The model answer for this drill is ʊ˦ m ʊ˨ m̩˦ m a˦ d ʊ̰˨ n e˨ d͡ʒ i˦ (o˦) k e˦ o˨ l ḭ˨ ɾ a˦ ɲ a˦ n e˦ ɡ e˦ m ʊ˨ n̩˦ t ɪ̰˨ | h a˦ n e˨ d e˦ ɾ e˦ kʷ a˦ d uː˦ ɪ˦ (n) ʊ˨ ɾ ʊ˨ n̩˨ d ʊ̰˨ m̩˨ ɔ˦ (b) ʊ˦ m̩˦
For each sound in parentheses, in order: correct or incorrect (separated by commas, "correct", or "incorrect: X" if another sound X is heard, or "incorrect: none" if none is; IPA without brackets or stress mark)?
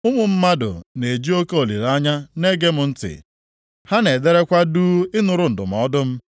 correct, correct, incorrect: d